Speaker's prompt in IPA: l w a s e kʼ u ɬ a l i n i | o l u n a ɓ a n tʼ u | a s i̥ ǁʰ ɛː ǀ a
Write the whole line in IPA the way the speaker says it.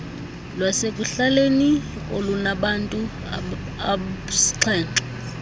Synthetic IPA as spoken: l w a s e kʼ u ɬ a l e n i | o l u n a ɓ a n tʼ u | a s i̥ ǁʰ ɛː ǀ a